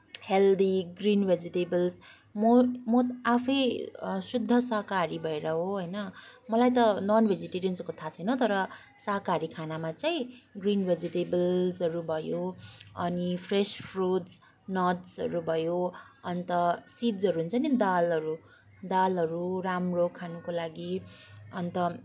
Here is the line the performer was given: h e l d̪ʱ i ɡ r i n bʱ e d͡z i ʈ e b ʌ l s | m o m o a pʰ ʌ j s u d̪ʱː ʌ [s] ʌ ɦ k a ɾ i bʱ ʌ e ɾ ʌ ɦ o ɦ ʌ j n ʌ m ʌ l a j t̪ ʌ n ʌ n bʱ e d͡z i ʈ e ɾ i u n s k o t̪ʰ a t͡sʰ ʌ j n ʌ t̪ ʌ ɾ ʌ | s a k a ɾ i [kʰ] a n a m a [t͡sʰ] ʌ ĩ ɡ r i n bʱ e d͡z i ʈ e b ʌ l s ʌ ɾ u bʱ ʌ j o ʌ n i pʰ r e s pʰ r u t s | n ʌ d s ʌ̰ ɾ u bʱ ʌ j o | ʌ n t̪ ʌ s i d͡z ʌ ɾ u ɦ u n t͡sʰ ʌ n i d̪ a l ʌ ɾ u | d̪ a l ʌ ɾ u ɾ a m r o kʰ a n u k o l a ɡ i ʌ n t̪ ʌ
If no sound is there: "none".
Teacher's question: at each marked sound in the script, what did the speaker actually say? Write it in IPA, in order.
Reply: s, kʰ, t͡s

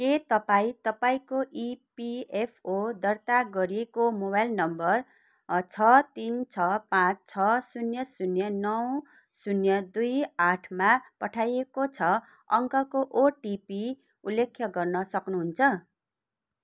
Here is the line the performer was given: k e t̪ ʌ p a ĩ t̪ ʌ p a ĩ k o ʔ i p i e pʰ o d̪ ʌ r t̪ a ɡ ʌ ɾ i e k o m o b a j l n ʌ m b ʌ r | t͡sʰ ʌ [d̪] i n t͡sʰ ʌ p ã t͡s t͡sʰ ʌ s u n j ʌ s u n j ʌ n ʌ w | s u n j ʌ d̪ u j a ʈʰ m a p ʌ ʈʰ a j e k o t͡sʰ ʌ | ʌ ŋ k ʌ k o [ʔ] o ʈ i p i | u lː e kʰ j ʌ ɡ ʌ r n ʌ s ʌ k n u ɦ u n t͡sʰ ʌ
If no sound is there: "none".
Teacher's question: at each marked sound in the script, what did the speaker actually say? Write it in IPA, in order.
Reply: t̪, ʔ

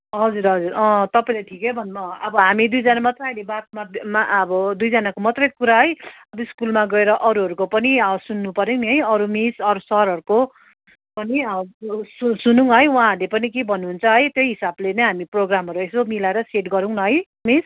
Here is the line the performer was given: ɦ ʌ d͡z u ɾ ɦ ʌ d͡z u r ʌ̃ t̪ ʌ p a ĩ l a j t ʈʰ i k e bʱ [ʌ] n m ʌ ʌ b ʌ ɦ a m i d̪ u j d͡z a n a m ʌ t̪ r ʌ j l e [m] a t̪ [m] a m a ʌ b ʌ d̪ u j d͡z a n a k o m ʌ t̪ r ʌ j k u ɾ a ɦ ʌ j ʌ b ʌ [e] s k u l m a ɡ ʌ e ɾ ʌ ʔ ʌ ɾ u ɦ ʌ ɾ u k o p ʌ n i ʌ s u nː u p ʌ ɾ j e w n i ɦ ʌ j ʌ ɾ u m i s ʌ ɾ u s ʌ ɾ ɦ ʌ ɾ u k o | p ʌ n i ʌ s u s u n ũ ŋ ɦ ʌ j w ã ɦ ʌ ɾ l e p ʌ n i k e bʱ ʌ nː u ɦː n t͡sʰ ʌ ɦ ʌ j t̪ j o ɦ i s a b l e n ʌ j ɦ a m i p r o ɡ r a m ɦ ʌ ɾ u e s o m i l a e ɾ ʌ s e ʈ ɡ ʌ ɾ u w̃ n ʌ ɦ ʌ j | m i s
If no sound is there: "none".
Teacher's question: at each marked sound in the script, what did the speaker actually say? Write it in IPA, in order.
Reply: ʌ, b, m, i

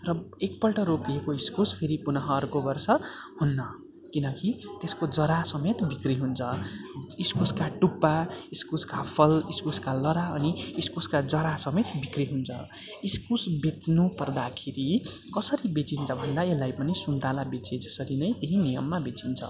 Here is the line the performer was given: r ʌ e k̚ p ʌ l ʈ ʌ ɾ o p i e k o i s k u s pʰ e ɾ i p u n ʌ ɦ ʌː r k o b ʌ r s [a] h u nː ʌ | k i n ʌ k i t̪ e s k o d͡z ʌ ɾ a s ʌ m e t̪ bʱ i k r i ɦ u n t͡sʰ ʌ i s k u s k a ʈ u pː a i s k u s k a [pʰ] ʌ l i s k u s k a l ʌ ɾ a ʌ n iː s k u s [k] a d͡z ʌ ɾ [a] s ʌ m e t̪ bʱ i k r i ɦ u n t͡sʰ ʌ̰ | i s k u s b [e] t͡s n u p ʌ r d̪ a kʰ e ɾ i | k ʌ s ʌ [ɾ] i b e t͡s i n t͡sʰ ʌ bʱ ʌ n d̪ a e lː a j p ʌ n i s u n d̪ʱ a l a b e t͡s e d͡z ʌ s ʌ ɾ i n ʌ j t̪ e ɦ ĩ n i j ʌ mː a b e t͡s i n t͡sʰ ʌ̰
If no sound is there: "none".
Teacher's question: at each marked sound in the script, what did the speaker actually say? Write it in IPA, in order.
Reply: ʌ, pʰ, k, a, e, ɾ

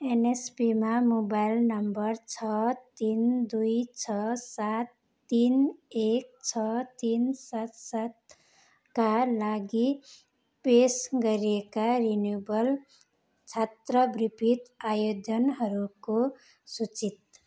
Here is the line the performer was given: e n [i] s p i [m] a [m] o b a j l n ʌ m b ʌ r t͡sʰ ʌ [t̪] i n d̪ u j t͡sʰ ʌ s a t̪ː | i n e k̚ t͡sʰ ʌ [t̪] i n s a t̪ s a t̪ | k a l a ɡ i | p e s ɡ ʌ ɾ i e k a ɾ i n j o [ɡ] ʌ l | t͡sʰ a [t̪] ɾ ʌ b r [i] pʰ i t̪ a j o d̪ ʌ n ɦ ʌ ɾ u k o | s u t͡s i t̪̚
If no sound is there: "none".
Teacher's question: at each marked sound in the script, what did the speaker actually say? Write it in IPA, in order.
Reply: e, m, m, t̪, t̪, b, t̪, i

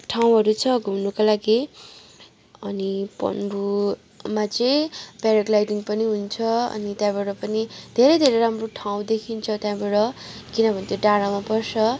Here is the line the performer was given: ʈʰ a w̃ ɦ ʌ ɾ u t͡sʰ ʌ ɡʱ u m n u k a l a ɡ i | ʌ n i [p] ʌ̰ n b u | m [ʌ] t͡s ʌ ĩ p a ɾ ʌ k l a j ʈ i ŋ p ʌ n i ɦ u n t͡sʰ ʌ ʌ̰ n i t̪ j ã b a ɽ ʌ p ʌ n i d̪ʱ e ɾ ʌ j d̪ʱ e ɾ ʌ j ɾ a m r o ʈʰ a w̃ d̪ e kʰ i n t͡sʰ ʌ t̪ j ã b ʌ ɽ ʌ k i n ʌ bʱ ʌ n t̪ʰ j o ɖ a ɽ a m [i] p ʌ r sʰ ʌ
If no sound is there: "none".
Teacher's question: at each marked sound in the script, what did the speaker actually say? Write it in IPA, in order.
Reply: p, a, a

